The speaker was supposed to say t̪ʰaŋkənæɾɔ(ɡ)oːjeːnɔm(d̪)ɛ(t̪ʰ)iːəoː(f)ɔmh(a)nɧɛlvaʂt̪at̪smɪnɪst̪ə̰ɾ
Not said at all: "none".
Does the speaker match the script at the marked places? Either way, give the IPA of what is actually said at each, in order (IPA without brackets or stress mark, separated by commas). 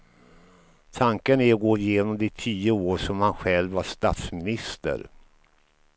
ɡ, d̪, t̪ʰ, ʂ, a